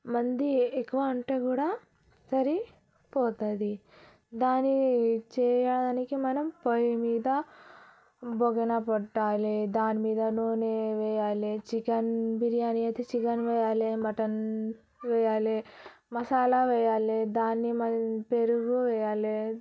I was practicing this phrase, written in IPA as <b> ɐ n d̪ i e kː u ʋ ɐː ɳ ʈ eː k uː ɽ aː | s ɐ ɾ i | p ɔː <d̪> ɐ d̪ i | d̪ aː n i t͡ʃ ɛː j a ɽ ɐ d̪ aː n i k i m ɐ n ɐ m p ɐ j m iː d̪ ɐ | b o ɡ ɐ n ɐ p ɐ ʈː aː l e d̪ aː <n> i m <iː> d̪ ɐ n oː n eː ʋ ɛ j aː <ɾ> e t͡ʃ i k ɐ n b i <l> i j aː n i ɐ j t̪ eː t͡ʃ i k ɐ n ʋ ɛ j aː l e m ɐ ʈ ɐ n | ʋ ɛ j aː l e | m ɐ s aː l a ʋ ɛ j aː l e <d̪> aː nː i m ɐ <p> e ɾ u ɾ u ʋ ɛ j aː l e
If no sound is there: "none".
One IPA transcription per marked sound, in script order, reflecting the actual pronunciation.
m, t̪, n, iː, l, ɾ, d̪, p

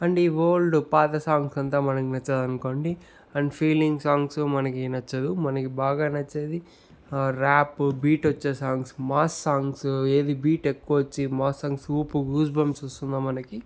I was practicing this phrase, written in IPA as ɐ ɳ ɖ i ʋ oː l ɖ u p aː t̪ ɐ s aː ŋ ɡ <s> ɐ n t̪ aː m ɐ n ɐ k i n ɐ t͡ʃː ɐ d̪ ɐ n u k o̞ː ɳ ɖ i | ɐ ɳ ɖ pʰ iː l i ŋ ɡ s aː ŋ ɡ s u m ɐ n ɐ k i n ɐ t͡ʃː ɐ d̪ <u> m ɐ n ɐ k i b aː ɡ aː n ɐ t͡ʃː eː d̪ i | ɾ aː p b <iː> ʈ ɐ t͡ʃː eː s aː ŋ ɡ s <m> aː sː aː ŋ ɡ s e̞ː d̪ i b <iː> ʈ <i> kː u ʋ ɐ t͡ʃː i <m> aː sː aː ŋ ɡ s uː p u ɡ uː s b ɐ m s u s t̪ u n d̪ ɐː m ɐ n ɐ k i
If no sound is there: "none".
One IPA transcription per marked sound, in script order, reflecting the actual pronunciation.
s, u, iː, m, iː, e, m

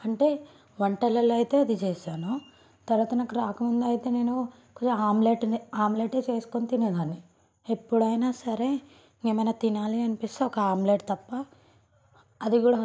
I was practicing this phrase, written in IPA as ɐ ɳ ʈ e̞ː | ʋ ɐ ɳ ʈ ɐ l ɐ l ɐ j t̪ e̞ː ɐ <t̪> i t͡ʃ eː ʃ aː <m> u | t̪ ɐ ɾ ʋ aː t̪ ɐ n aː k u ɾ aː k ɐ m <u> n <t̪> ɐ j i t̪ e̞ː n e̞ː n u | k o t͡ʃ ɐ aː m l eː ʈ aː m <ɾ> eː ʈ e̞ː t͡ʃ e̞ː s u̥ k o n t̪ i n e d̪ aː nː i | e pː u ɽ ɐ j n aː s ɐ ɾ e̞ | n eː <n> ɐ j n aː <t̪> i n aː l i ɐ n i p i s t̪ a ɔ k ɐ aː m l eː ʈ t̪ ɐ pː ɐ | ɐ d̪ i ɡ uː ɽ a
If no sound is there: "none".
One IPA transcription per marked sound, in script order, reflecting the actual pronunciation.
d̪, n, u, d̪, l, m, t̪

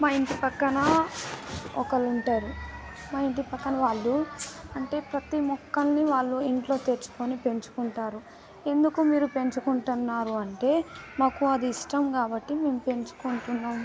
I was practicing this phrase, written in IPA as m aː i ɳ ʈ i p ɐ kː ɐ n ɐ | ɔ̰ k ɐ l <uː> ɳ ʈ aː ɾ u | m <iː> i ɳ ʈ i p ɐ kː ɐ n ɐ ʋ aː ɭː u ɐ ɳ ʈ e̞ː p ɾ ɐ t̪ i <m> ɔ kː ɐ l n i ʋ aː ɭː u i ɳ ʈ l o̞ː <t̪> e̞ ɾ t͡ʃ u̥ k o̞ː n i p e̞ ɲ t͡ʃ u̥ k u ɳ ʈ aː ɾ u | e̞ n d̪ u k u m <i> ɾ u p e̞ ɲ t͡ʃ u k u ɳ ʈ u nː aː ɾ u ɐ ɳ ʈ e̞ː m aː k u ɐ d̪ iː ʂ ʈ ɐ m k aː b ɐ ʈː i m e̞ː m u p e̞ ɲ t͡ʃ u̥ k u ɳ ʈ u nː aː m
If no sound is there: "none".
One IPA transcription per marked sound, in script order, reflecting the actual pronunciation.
u, aː, m, t̪, iː

